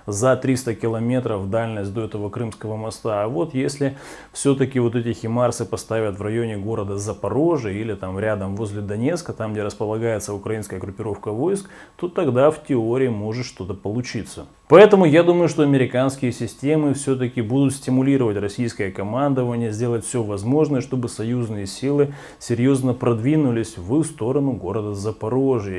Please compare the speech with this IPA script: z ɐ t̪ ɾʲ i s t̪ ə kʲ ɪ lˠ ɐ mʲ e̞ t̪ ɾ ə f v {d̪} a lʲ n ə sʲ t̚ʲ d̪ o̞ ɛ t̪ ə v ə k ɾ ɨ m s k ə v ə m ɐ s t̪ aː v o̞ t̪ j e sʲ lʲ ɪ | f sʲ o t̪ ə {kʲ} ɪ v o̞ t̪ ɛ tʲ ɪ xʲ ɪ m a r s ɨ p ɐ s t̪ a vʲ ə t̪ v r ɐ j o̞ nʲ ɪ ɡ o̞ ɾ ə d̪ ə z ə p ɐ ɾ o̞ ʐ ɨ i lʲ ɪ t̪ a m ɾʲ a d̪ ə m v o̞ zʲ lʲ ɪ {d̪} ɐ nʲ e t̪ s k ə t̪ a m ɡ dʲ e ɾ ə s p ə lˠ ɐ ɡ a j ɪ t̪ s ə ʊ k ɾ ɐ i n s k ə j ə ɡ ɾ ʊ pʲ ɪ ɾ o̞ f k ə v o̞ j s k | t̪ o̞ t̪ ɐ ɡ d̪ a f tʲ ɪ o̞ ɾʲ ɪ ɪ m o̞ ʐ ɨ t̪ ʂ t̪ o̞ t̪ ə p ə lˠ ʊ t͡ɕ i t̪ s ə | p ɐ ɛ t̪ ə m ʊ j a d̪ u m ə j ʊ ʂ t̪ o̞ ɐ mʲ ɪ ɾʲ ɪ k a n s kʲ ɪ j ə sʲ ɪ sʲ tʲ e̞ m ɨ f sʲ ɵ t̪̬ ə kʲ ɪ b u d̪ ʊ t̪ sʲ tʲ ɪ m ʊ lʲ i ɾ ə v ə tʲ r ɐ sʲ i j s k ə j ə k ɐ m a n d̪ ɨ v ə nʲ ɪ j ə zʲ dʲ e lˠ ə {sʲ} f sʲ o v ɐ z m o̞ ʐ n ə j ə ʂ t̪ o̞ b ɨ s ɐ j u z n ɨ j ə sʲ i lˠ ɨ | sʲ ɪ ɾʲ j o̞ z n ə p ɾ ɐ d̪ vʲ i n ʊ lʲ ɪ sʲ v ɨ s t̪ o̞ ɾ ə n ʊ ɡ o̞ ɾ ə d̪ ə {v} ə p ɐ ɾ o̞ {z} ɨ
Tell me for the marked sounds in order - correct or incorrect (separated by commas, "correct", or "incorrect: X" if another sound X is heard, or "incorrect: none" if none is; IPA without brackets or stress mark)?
correct, correct, correct, incorrect: tʲ, incorrect: z, incorrect: ʐ